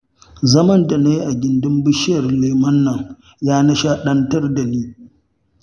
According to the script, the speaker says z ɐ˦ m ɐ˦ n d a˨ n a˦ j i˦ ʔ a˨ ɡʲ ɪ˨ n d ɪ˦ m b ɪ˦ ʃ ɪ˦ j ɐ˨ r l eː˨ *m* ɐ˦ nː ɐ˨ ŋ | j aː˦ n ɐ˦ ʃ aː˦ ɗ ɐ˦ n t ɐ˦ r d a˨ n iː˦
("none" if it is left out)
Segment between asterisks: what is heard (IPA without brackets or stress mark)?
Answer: m